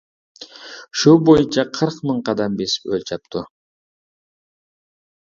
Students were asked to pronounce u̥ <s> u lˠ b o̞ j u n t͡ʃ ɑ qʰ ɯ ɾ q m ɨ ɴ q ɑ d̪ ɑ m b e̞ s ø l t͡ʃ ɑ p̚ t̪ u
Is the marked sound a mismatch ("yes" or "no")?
yes